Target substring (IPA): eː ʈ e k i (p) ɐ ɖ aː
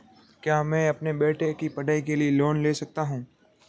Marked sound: correct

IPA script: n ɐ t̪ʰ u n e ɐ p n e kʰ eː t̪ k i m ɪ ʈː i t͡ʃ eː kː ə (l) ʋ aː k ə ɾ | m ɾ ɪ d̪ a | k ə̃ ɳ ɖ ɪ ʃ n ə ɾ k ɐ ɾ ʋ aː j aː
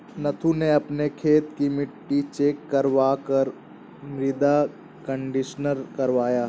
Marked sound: incorrect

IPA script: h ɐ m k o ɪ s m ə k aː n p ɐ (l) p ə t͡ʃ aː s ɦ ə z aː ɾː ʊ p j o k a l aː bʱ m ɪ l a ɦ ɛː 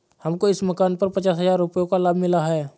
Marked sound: incorrect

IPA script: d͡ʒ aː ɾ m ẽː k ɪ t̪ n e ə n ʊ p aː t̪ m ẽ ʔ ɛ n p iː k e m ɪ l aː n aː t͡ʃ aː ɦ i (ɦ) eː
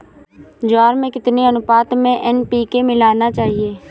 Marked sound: incorrect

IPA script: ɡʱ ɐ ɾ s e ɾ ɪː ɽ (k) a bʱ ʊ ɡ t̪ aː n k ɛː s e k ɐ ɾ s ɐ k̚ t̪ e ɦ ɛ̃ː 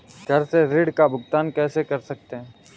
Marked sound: correct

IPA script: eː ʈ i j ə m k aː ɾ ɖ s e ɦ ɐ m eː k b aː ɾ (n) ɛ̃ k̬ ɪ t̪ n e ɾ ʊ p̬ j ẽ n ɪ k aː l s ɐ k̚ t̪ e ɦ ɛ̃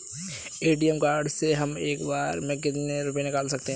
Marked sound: incorrect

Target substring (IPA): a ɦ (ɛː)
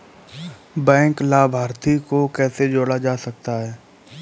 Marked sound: correct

